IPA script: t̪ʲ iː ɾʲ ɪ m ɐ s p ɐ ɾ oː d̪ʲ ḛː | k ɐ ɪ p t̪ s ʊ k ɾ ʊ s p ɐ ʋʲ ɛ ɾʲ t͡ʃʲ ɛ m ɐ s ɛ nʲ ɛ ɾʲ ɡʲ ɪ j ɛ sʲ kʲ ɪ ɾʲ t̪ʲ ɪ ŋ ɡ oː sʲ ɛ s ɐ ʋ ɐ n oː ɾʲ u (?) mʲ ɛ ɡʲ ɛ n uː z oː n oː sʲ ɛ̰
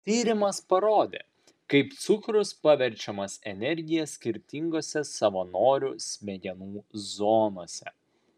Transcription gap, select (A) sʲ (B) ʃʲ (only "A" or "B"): A